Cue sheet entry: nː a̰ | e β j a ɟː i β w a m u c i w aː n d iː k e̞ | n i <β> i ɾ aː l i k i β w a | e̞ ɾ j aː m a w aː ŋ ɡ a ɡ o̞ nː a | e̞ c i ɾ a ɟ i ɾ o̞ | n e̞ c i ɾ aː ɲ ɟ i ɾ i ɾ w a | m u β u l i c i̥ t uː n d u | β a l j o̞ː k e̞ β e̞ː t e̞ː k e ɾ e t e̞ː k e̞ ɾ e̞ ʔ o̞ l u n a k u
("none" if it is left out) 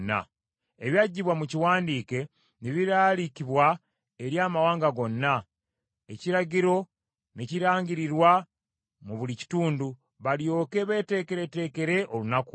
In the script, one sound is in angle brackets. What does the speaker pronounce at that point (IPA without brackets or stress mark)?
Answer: β